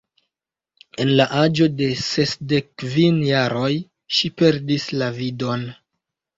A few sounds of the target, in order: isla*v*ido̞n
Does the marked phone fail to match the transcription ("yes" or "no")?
no